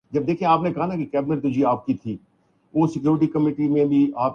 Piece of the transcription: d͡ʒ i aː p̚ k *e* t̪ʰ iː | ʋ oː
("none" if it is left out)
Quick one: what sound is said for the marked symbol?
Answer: i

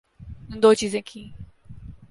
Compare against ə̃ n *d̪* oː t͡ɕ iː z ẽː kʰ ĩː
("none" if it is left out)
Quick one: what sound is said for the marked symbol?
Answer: d̪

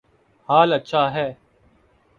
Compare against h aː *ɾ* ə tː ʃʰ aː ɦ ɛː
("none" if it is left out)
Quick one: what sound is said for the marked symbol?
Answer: l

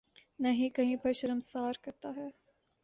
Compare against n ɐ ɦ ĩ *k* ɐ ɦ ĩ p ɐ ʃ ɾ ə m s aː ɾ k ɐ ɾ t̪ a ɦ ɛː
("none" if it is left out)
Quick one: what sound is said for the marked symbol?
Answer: k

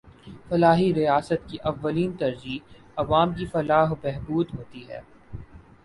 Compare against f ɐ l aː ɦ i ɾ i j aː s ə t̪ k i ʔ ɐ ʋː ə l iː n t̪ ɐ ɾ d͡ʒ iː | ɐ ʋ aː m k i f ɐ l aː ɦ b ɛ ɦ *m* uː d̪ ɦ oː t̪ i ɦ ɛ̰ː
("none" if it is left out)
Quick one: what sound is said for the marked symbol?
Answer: b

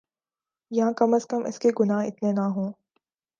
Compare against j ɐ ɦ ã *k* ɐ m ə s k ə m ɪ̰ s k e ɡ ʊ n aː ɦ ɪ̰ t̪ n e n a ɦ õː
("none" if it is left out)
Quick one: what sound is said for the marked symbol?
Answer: k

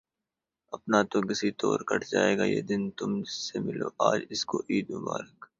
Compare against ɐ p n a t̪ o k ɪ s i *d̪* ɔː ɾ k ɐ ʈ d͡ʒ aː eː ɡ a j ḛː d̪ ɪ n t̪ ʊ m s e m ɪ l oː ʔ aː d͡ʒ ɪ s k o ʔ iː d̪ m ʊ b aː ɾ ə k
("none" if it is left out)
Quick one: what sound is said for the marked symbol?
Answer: t̪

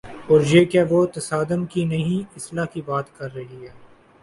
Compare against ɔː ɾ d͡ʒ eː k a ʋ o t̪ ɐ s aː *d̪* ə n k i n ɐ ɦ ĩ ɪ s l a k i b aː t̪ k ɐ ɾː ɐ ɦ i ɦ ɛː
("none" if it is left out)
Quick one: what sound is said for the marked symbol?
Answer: d̪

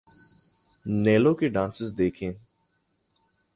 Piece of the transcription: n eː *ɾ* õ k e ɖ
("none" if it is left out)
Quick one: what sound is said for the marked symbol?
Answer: l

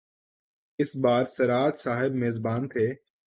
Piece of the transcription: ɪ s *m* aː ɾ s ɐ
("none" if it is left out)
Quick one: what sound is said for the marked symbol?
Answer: b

